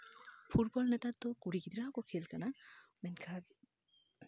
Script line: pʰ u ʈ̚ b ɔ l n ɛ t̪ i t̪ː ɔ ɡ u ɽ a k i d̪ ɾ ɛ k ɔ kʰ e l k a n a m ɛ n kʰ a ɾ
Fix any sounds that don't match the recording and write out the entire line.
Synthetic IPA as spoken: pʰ u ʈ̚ b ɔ l n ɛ t̪ a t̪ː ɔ k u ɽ i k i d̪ ɾ a k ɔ kʰ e l k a n a m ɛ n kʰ a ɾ